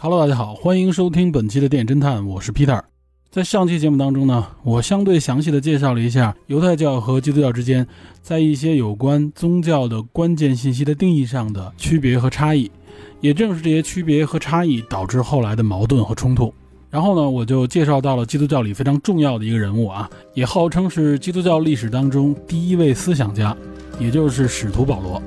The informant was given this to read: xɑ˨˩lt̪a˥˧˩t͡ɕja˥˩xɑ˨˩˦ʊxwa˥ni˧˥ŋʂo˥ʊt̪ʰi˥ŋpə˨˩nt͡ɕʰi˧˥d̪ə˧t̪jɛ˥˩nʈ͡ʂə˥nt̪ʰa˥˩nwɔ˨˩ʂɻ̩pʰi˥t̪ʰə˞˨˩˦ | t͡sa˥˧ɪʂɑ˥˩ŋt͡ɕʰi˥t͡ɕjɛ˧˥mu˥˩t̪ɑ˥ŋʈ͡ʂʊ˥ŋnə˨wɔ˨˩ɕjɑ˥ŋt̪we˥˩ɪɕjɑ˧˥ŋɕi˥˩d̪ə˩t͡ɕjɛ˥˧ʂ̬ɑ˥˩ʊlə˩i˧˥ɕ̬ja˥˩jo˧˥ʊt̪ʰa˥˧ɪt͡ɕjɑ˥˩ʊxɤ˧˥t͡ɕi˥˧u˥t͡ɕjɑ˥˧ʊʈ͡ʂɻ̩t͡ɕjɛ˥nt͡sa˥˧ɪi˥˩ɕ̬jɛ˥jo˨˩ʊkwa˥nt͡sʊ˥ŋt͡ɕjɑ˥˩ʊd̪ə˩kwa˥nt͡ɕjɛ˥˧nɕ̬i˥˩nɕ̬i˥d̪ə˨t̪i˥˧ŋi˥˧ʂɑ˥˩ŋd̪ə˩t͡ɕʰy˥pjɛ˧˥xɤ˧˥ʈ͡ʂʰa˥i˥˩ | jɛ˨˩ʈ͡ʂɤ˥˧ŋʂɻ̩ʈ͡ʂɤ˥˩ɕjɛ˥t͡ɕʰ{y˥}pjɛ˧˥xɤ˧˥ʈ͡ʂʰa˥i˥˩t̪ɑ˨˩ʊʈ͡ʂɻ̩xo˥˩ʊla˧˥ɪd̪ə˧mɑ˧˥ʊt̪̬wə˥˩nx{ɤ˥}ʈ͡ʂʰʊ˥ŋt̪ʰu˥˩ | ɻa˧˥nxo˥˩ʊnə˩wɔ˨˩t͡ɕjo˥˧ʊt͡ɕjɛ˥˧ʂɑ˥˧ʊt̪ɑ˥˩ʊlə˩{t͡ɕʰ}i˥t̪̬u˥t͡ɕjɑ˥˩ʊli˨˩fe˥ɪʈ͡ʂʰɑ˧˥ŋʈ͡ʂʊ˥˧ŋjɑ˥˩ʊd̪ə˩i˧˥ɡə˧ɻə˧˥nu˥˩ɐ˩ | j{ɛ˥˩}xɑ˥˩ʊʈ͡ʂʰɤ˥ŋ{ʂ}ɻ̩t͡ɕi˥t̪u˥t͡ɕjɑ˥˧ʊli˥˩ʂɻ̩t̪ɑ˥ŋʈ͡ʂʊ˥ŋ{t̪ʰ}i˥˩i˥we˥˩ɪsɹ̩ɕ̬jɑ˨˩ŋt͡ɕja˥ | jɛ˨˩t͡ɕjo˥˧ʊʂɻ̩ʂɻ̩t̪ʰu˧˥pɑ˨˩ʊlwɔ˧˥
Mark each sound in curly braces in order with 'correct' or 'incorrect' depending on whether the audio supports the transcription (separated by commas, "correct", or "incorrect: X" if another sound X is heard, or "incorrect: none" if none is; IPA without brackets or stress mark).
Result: correct, incorrect: ɤ˧˥, incorrect: t͡ɕ, incorrect: ɛ˨˩, correct, incorrect: t̪